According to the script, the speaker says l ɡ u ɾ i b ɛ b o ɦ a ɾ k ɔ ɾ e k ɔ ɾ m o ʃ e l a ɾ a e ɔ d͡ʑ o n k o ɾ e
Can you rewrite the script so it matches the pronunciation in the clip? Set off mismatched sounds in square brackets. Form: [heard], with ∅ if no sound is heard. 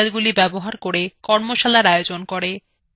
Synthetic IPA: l ɡ u [l] i b ɛ b o ɦ a ɾ k [o] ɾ e k ɔ ɾ m o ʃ [a] l a ɾ a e [o] d͡ʑ o n k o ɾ e